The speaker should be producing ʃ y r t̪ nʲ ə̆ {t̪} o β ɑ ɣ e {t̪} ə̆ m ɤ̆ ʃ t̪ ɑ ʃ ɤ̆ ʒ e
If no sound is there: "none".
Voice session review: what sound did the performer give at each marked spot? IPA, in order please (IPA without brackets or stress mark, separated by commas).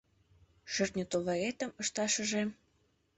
t̪, t̪